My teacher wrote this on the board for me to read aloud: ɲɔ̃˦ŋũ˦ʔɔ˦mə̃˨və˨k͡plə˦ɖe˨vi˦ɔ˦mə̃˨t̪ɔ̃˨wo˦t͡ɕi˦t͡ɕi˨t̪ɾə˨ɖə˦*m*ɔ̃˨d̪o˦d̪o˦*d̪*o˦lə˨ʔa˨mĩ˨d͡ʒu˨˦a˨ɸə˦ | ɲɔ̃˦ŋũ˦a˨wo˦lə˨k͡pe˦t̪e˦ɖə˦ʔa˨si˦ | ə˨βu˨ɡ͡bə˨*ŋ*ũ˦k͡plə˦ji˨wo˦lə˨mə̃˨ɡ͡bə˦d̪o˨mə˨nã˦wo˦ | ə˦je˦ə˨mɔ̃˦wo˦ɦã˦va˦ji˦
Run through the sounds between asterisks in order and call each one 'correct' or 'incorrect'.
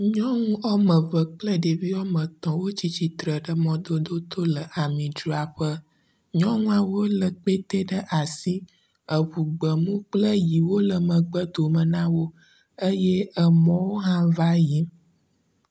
correct, incorrect, incorrect

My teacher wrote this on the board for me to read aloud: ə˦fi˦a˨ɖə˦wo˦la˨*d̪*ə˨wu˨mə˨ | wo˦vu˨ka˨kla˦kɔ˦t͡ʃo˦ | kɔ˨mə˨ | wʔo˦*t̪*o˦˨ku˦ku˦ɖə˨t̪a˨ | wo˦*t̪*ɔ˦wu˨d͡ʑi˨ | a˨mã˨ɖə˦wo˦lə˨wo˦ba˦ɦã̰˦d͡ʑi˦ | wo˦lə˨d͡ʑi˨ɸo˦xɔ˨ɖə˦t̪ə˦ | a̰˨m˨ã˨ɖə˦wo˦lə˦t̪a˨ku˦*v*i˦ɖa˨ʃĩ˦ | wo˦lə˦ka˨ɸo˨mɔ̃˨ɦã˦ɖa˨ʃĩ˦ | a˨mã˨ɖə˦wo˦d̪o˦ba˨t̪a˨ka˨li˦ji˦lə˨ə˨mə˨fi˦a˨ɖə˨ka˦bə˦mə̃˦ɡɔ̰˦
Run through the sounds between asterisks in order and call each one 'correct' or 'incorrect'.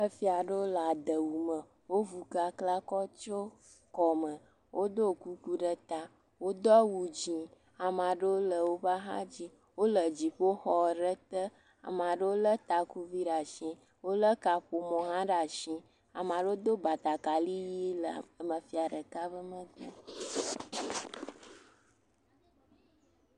correct, incorrect, incorrect, correct

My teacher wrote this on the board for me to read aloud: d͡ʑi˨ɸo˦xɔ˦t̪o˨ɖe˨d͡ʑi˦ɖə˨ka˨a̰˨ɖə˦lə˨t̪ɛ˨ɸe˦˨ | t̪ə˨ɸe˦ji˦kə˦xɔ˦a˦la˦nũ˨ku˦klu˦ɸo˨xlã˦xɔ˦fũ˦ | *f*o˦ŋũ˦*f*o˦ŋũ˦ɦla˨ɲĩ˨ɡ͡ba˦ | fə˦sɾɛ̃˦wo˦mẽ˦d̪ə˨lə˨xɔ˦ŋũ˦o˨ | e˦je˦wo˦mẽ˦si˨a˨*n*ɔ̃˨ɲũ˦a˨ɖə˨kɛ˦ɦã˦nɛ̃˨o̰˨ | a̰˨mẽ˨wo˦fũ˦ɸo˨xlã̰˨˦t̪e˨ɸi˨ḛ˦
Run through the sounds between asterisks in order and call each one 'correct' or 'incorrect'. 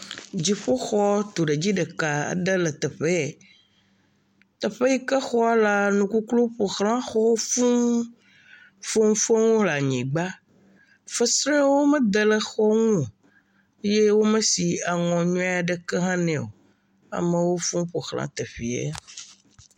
correct, correct, incorrect

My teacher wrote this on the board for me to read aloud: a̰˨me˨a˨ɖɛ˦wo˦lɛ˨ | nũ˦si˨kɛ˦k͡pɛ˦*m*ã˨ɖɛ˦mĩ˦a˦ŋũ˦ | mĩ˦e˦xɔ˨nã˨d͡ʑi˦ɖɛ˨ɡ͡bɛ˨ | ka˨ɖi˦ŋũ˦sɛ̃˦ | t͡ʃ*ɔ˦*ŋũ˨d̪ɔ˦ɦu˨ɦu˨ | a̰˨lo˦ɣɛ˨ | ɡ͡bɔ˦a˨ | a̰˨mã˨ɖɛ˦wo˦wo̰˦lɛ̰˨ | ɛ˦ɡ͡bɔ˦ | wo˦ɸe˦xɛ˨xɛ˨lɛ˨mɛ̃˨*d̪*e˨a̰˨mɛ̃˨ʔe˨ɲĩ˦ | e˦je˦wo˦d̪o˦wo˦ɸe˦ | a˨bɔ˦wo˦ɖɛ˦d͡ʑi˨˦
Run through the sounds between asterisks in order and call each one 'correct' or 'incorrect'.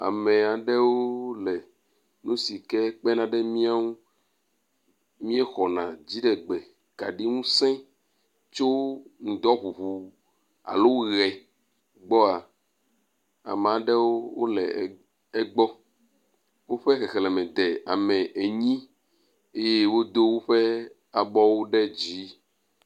incorrect, incorrect, correct

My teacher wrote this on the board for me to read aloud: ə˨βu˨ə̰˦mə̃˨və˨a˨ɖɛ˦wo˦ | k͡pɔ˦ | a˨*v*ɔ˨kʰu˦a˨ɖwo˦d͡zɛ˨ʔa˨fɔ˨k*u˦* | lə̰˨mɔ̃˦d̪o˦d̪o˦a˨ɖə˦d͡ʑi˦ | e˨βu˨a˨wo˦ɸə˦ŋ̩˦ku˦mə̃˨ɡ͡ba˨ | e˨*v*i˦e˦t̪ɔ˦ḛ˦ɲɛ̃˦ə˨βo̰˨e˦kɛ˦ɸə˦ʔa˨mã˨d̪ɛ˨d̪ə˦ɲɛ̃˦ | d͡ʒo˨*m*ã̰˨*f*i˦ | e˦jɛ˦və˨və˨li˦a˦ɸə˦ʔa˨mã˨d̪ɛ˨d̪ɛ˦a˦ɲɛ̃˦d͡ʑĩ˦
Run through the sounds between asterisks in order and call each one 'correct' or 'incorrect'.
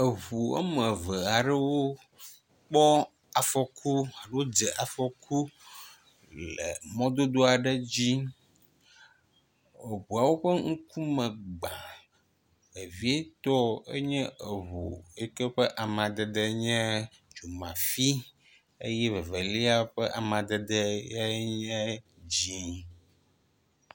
incorrect, correct, correct, correct, correct

